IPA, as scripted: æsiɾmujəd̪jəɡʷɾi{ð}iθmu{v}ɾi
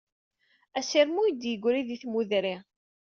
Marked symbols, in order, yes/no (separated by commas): yes, no